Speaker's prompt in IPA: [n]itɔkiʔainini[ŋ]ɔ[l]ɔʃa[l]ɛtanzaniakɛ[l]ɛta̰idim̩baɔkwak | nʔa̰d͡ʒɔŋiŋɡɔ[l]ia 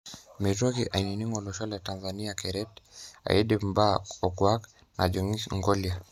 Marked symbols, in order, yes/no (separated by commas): no, yes, yes, yes, no, yes